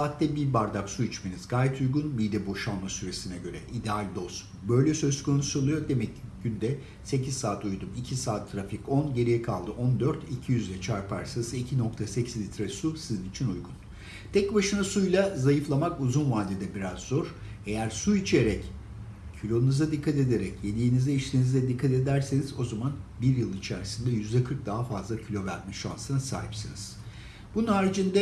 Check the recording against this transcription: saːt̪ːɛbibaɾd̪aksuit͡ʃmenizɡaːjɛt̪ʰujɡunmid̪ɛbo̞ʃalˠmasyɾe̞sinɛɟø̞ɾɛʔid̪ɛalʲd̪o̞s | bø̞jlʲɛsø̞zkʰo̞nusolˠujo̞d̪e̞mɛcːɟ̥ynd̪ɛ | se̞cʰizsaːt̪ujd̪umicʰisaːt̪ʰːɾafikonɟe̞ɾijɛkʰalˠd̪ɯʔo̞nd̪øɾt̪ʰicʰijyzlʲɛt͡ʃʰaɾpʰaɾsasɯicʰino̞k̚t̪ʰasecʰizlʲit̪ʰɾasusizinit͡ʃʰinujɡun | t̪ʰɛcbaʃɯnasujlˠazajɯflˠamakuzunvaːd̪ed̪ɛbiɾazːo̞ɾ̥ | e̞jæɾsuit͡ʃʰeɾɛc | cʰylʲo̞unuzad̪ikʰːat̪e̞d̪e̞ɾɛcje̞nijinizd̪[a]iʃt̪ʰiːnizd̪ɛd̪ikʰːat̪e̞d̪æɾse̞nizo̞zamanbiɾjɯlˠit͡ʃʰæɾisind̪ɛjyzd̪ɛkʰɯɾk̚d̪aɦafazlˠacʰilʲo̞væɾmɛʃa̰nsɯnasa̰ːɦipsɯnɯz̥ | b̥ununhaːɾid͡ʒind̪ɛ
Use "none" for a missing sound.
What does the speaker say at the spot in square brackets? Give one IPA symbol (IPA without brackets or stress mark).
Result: ɛ